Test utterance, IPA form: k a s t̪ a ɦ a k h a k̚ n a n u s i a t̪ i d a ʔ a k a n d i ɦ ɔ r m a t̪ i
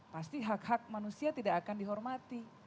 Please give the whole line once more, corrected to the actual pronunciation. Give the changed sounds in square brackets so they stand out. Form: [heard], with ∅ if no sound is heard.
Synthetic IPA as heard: [p] a s t̪ [i] ɦ a k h a k̚ [m] a n u s i a t̪ i d a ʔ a k a n d i ɦ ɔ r m a t̪ i